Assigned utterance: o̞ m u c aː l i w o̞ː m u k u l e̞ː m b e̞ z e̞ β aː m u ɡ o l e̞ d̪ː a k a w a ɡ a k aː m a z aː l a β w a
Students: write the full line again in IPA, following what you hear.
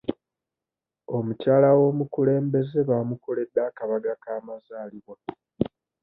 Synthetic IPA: o̞ m u c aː l a w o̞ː m u k u l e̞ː m b e̞ z e̞ β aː m u k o l e̞ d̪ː a k a β a ɡ a k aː m a z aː l i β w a